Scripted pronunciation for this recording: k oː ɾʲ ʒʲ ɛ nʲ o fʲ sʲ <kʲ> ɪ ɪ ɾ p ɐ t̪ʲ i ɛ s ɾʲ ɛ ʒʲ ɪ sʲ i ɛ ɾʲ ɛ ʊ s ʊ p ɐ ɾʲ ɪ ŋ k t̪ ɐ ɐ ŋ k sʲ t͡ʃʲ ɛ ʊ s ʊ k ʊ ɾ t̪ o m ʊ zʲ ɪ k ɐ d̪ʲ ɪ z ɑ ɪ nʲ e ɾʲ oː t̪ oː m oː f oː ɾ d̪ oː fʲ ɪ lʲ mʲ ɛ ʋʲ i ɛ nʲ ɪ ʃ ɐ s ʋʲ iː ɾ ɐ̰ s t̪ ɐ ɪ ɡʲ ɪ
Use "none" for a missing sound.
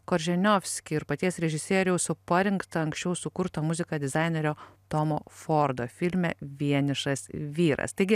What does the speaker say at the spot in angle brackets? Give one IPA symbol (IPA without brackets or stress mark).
kʲ